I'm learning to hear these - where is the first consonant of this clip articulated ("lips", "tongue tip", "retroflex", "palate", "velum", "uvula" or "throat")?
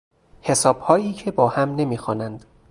throat